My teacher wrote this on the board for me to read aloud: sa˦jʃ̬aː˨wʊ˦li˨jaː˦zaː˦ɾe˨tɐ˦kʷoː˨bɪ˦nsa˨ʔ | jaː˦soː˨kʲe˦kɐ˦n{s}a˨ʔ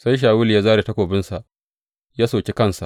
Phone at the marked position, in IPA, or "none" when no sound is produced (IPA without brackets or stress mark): s